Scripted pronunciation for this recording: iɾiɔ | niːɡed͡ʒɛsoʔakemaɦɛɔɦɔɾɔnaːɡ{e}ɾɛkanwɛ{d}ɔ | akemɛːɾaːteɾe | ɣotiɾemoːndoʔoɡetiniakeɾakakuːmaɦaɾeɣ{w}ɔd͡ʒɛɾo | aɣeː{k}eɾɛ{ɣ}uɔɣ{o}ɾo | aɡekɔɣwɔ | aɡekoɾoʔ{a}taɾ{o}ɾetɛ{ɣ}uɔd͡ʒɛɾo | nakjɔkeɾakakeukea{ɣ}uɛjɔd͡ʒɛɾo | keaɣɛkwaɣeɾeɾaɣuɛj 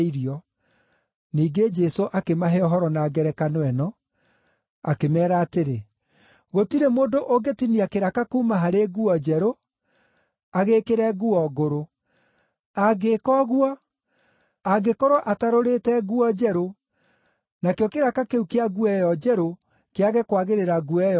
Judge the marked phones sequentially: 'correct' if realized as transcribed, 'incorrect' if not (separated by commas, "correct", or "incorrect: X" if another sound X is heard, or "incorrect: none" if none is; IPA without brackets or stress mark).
incorrect: ɛ, incorrect: n, incorrect: u, correct, correct, correct, correct, correct, correct, correct